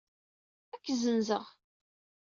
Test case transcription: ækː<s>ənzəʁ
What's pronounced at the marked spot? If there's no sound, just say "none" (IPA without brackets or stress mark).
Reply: z